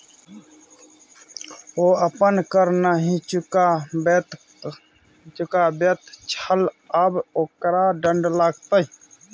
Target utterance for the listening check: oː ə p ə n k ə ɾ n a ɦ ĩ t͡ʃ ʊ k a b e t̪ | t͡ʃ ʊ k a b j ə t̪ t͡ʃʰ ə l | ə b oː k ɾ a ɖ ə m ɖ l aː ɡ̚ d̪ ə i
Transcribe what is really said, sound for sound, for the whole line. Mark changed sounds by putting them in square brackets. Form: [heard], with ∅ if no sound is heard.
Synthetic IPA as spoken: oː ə p ə n k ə ɾ n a ɦ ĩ t͡ʃ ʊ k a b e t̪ | t͡ʃ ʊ k a b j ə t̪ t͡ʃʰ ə l | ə b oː k ɾ a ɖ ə [ɳ] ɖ l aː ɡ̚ [t̪] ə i

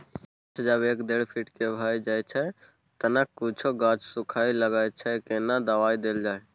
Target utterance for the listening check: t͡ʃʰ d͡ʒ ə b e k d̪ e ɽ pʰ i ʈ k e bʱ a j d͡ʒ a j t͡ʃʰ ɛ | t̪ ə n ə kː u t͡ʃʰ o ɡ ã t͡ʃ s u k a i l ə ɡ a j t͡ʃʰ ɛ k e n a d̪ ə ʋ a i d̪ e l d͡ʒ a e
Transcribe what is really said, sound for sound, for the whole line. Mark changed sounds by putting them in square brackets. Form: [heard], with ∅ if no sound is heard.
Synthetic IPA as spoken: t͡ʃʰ d͡ʒ ə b e k d̪ e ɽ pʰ i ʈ k e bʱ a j d͡ʒ a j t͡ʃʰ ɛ | t̪ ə n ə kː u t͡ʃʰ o ɡ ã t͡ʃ s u [kʰ] a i l ə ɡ a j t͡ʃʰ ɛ k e n a d̪ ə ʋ a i d̪ e l d͡ʒ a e

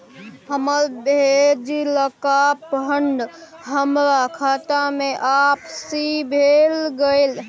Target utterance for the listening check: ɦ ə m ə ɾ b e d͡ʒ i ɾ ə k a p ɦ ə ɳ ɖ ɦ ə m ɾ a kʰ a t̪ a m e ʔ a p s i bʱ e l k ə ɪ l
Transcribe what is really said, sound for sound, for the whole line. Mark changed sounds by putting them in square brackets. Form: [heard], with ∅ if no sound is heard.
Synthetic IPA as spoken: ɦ ə m ə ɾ b e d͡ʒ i [l] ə k a p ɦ ə ɳ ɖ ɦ ə m ɾ a kʰ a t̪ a m e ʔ a p s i bʱ e l [ɡ] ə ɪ l

